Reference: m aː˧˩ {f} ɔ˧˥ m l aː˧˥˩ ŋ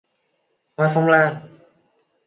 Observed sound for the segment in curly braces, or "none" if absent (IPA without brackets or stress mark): f